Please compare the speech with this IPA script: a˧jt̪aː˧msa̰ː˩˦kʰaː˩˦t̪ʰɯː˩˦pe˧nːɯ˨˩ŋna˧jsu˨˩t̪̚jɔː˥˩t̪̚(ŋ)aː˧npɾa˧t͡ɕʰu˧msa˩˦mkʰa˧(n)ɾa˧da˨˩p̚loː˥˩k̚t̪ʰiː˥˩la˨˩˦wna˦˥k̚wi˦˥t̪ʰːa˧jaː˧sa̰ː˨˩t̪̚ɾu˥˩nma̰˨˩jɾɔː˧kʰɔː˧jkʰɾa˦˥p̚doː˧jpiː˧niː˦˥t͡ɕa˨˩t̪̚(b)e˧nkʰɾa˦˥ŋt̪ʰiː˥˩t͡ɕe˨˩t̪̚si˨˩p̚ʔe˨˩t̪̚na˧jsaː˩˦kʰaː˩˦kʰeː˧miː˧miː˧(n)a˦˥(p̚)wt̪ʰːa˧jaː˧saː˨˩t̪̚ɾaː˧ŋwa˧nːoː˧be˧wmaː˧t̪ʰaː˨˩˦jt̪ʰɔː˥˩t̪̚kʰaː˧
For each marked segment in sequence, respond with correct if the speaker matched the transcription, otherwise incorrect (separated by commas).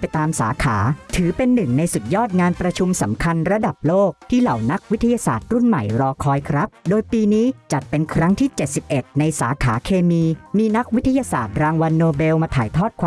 correct, correct, incorrect, correct, incorrect